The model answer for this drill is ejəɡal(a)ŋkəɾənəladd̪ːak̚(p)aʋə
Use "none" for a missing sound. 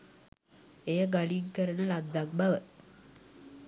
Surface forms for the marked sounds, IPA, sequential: i, b

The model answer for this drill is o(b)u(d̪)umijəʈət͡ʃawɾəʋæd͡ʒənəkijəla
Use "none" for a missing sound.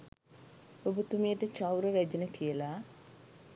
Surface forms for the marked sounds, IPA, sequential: b, t̪

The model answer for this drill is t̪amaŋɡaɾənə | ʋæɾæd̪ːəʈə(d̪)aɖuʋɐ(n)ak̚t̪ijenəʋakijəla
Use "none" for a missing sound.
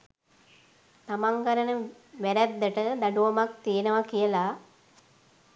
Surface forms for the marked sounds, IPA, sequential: d̪, m

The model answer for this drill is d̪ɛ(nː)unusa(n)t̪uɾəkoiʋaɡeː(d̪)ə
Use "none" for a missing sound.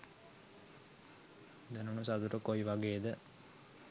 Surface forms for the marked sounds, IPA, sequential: n, none, d̪

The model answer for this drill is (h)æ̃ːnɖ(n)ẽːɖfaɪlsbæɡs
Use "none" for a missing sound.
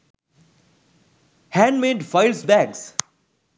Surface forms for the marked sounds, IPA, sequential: h, m

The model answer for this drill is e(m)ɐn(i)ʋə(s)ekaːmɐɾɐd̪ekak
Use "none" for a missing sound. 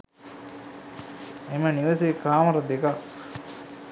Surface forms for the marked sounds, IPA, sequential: m, i, s

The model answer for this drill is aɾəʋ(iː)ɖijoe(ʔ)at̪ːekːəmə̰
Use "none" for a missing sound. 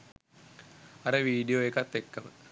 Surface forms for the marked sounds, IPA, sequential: iː, k

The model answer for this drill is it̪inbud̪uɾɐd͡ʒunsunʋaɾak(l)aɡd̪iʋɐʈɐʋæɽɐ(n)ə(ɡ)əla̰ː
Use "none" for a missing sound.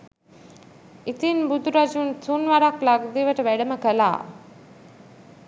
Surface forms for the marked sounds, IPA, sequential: l, m, k

